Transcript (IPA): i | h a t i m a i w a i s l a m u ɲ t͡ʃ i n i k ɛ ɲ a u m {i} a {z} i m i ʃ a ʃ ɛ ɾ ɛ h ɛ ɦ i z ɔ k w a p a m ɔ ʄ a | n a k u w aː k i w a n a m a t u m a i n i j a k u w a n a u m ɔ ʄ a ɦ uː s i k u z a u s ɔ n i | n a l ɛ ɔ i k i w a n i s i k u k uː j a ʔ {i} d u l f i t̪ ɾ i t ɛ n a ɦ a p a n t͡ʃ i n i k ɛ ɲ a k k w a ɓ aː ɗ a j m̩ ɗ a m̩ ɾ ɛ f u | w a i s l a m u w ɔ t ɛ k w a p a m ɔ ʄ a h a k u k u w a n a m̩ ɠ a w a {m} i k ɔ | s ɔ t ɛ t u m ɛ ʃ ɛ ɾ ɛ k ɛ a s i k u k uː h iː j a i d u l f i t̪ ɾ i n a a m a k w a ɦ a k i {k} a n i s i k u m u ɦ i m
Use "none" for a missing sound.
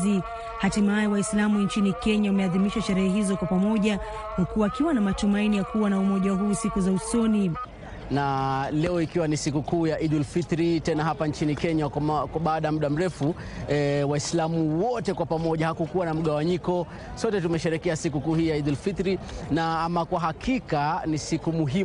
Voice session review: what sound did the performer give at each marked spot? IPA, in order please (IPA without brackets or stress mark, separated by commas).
ɛ, ð, i, ɲ, k